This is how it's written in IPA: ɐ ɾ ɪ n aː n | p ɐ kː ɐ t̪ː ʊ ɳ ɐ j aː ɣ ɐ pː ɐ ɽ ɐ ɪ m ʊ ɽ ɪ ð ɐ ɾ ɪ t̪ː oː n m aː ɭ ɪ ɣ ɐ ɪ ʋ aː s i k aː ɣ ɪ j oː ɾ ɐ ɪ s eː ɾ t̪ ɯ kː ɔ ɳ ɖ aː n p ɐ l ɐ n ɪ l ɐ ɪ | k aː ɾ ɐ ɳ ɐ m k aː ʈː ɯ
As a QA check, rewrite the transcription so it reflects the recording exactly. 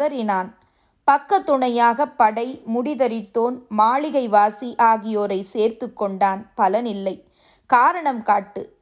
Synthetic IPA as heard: ɐ ɾ ɪ n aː n | p ɐ kː ɐ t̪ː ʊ ɳ ɐ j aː ɣ ɐ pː ɐ ɽ ɐ ɪ m ʊ ɽ ɪ ð ɐ ɾ ɪ t̪ː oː n m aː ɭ ɪ ɣ ɐ ɪ ʋ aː s i ʔ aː ɣ ɪ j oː ɾ ɐ ɪ s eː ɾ t̪ ɯ kː ɔ ɳ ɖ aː n p ɐ l ɐ n ɪ lː ɐ ɪ | k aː ɾ ɐ ɳ ɐ m k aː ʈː ɯ